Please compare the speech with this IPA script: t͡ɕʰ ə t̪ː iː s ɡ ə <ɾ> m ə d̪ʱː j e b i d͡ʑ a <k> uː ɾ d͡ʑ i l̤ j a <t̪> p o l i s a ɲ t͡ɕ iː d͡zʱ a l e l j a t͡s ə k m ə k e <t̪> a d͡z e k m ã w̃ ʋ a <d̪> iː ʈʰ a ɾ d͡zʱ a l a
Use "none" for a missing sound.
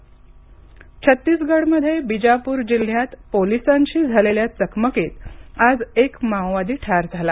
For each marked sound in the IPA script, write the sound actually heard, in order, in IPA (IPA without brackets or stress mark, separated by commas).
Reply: ɽ, p, t̪, t̪, d̪